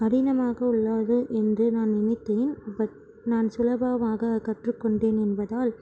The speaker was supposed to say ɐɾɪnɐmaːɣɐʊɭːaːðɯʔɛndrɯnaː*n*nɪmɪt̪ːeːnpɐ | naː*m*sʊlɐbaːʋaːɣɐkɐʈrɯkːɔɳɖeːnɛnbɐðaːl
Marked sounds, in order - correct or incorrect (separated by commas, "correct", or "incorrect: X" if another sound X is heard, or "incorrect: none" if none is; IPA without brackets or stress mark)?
correct, incorrect: n